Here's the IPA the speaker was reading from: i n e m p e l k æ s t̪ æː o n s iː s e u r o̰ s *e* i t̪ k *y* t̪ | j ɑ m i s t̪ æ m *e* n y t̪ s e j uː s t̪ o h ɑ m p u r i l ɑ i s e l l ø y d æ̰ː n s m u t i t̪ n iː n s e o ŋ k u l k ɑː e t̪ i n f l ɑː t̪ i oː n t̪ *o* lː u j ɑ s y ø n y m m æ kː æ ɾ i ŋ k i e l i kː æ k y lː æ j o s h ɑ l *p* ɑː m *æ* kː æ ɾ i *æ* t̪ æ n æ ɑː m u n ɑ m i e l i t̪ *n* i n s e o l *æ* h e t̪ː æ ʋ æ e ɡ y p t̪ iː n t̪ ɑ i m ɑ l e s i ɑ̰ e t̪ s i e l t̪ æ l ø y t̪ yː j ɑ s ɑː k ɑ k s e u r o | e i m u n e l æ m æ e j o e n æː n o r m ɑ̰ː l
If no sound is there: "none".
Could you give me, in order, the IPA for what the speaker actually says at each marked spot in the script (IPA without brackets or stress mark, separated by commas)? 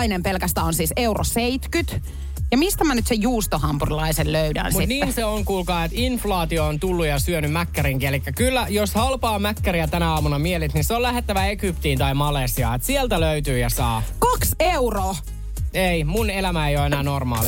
e, y, æ, u, p, æ, æ, n, æ